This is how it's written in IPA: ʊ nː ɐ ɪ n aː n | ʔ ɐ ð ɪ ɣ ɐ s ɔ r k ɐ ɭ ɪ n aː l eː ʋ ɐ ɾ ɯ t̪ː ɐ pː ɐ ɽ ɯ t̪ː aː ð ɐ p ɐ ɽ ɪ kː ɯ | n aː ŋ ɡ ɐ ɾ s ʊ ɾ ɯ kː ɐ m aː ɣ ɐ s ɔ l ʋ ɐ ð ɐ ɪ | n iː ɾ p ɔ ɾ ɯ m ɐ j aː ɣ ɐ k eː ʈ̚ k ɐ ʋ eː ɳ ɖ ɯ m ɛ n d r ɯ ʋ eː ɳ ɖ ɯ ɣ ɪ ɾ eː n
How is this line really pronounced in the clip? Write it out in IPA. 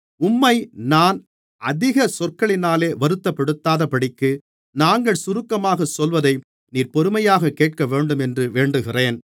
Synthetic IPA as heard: ʊ mː ɐ ɪ n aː n | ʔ ɐ ð ɪ ɣ ɐ s ɔ r k ɐ ɭ ɪ n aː l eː ʋ ɐ ɾ ɯ t̪ː ɐ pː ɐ ɽ ɯ t̪ː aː ð ɐ p ɐ ɽ ɪ kː ɯ | n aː ŋ ɡ ɐ ɭ s ʊ ɾ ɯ kː ɐ m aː ɣ ɐ s ɔ l ʋ ɐ ð ɐ ɪ | n iː ɾ p ɔ ɾ ɯ m ɐ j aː ɣ ɐ k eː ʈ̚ k ɐ ʋ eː ɳ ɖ ɯ m ɛ n d r ɯ ʋ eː ɳ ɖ ɯ ɣ ɪ r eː n